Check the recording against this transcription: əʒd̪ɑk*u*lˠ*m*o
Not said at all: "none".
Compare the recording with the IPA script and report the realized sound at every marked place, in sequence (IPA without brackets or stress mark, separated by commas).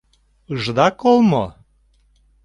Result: o, m